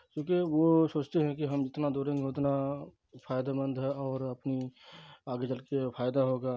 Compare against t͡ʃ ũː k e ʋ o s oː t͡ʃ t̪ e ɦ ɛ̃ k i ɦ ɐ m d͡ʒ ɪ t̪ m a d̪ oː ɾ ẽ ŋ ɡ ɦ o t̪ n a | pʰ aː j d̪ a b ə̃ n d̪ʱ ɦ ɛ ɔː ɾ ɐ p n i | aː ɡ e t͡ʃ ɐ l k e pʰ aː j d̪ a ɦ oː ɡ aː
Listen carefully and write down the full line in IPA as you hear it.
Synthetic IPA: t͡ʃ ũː k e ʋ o s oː t͡ʃ t̪ e ɦ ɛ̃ k i ɦ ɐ m d͡ʒ ɪ t̪ n a d̪ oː ɾ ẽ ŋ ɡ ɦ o t̪ n a | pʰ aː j d̪ a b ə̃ n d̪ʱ ɦ ɛ ɔː ɾ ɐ p n i | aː ɡ e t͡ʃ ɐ l k e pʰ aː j d̪ a ɦ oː ɡ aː